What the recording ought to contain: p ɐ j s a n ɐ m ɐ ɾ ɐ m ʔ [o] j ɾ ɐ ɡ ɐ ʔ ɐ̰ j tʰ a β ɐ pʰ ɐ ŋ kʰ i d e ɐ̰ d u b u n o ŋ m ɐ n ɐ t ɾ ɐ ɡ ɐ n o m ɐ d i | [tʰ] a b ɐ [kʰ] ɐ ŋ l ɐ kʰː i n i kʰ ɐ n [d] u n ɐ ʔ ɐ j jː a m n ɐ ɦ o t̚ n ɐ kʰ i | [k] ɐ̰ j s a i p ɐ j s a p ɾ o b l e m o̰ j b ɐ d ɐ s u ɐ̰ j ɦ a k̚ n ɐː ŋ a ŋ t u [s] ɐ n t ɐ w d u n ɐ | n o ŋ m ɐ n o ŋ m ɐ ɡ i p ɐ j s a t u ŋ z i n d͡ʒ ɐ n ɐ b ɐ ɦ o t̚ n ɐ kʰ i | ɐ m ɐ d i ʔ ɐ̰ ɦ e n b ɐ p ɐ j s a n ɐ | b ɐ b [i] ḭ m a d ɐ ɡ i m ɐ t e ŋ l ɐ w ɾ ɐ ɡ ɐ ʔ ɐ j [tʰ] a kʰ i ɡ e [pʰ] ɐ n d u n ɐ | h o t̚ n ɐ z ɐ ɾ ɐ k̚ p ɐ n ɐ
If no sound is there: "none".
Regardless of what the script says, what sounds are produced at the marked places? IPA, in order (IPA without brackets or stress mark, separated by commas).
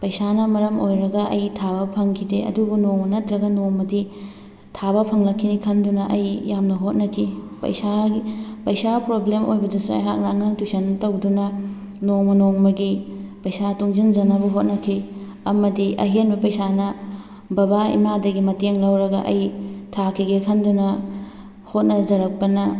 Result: o, tʰ, pʰ, d, p, s, a, tʰ, kʰ